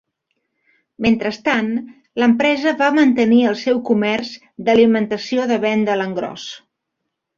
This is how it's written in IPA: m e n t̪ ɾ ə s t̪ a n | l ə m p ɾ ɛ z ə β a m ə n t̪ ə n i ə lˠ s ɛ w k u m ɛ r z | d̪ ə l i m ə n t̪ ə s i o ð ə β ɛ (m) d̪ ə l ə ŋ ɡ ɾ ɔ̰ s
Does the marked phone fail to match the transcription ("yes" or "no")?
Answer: yes